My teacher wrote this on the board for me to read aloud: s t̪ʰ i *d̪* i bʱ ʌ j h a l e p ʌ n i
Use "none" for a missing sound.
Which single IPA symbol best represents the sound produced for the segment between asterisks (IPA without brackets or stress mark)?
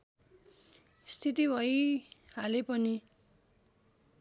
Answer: t̪